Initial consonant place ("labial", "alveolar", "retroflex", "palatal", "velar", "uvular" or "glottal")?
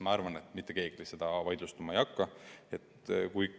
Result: labial